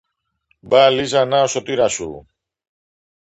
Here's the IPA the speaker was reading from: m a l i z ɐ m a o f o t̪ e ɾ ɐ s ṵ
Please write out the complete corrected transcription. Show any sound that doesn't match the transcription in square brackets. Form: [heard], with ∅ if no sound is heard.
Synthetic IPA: [b] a l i z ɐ [n] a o [s] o t̪ [i] ɾ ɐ s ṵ